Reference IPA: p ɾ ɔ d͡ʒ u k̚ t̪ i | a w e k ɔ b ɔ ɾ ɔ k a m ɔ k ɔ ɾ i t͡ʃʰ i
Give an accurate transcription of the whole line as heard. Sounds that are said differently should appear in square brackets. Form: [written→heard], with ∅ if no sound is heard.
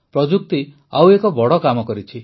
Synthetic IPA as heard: p ɾ ɔ d͡ʒ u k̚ t̪ i | a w e k ɔ b ɔ [ɾ→ɽ] ɔ k a m ɔ k ɔ ɾ i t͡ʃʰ i